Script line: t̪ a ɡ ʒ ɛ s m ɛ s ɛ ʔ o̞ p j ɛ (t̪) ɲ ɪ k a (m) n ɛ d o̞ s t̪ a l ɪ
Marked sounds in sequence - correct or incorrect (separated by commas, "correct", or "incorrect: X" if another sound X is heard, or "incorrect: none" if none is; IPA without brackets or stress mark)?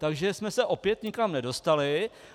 correct, correct